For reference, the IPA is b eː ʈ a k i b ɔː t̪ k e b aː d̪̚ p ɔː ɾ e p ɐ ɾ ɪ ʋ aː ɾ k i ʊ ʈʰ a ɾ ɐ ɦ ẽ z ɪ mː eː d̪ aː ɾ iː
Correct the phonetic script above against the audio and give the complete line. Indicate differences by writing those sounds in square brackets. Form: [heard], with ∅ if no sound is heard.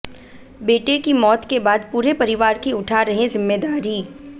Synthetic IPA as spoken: b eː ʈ [e] k i [m] ɔː t̪ k e b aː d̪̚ p [uː] ɾ e p ɐ ɾ ɪ ʋ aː ɾ k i ʊ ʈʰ a ɾ ɐ ɦ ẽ z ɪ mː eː d̪ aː ɾ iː